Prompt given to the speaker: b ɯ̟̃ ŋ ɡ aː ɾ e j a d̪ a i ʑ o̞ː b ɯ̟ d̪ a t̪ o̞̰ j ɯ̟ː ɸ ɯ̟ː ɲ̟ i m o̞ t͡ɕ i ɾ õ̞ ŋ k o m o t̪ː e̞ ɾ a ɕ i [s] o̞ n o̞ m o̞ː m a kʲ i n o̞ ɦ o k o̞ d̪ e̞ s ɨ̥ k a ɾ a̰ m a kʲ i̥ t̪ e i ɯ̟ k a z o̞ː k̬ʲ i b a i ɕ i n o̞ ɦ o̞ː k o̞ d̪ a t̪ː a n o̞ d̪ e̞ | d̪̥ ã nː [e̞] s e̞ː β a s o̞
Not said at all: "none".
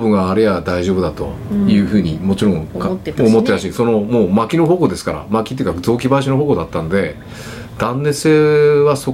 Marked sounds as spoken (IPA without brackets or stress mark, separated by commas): s, e̞